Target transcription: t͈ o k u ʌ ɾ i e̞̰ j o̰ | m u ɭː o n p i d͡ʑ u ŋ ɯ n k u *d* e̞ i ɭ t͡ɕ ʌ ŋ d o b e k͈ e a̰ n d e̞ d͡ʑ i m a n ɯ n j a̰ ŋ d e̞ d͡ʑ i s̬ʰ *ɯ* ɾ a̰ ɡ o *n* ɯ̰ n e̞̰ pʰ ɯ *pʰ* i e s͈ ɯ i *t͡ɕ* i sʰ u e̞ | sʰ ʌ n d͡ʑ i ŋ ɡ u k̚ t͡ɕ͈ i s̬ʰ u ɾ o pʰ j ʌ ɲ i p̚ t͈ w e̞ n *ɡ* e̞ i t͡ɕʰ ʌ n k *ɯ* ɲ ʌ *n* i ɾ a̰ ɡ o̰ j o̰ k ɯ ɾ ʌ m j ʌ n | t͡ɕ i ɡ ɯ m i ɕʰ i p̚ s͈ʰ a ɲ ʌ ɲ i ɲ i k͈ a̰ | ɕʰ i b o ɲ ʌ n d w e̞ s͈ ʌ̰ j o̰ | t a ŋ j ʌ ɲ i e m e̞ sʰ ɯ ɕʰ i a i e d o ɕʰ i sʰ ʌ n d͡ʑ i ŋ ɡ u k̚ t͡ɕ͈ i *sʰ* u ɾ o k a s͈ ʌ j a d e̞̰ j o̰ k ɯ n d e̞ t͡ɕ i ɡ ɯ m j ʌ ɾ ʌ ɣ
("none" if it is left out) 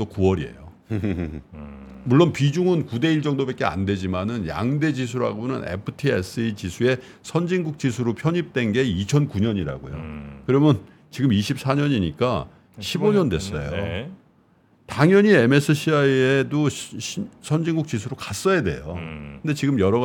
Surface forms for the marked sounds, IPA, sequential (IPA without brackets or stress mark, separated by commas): d, u, n, tʰ, t͡ɕ, ɡ, u, ɲ, sʰ